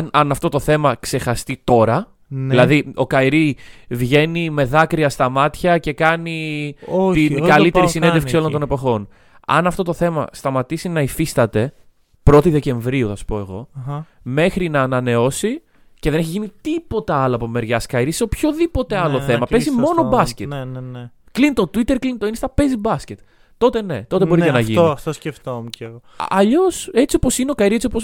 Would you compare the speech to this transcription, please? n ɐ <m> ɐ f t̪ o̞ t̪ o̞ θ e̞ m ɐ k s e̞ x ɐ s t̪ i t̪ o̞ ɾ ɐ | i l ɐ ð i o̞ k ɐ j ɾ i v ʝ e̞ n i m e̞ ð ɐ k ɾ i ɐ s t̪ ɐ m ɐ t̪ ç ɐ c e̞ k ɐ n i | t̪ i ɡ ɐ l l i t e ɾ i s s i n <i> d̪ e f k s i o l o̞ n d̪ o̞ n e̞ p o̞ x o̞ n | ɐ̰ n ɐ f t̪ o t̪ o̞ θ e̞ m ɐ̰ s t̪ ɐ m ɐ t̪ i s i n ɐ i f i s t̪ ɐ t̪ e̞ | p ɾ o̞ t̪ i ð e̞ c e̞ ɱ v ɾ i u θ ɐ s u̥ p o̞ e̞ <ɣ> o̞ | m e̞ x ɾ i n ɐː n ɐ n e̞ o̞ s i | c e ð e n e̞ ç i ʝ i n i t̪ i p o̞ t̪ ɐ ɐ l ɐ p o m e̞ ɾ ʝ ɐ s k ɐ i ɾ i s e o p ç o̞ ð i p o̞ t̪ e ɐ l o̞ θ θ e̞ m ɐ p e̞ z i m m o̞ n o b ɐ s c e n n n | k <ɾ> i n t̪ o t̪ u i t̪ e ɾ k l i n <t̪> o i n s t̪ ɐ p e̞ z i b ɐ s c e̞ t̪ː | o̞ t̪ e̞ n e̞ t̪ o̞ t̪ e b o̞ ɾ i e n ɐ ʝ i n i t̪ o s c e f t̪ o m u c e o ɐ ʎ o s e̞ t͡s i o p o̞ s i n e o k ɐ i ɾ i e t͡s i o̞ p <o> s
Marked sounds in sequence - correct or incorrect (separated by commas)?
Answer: incorrect, incorrect, correct, incorrect, correct, correct